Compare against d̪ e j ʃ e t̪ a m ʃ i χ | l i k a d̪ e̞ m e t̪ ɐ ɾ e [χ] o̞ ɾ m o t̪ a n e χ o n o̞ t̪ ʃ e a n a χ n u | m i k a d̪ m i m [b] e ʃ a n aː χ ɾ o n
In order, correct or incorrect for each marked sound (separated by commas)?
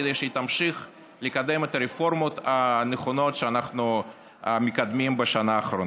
incorrect, correct